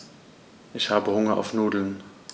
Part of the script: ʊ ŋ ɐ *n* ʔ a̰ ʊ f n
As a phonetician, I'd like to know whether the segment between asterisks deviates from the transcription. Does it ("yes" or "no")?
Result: yes